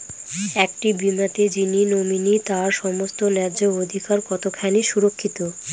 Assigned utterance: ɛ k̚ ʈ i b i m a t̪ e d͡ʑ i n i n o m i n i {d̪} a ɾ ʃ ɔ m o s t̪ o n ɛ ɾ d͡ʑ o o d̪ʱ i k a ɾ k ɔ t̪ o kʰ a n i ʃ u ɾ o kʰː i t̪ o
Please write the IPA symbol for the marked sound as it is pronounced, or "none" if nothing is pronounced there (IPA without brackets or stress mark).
t̪